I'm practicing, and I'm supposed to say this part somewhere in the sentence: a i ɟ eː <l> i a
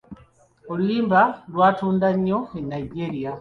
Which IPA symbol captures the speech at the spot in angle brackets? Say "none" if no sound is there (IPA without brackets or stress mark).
ɾ